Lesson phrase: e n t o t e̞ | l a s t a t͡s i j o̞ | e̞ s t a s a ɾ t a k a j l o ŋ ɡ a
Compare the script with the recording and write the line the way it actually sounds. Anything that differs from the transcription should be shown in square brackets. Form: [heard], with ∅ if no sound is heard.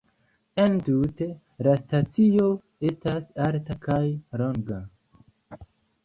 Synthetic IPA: e n t [u] t e̞ | l a s t a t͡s i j o̞ | e̞ s t a s a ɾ t a k a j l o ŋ ɡ a